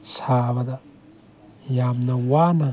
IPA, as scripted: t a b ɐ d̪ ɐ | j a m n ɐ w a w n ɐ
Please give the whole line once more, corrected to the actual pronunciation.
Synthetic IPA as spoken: s a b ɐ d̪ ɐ | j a m n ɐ w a n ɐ